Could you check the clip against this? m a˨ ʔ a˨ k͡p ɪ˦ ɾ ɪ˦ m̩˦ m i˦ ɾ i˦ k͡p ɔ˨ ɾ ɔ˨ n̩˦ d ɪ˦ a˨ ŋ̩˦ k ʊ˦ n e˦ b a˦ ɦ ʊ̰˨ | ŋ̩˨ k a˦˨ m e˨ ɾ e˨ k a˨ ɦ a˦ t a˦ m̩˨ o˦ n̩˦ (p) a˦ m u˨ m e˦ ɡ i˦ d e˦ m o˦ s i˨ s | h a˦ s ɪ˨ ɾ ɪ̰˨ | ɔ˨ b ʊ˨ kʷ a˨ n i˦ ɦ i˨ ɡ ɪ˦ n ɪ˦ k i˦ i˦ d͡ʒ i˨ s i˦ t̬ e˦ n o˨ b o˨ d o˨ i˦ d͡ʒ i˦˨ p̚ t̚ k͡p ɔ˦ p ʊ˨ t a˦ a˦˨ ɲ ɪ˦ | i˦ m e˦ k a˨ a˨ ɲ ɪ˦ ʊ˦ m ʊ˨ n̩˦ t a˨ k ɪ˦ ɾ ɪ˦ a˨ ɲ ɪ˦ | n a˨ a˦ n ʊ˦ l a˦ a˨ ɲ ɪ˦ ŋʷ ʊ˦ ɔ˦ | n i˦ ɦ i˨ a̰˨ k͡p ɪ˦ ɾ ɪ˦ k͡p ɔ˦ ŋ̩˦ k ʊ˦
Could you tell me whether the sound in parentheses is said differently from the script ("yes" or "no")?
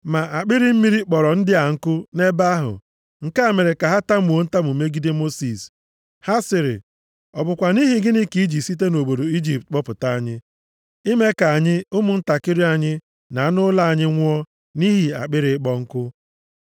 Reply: yes